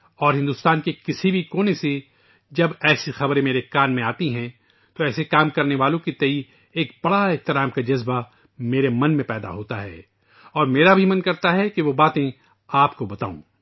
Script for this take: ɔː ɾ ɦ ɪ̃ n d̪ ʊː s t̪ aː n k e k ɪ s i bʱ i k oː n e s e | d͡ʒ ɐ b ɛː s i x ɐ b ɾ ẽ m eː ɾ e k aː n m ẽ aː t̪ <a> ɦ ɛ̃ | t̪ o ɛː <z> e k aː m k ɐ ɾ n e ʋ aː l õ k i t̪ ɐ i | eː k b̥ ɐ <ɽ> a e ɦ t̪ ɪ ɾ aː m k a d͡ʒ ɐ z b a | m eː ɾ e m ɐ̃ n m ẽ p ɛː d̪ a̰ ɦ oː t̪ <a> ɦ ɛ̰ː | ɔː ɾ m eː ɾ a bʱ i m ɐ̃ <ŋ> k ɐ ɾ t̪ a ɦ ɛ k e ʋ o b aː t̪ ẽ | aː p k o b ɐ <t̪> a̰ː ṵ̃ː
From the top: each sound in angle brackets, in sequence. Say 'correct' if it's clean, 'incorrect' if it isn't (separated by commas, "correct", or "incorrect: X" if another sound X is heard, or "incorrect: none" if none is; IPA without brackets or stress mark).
incorrect: i, incorrect: s, correct, correct, incorrect: n, correct